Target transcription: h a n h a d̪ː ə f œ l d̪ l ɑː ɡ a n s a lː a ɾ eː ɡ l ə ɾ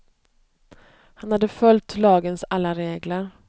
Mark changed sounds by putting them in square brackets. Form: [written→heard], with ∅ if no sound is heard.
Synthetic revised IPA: h a n h a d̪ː ə f œ l [d̪→t̪] l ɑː ɡ [a→ə] n s a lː a ɾ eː ɡ l ə ɾ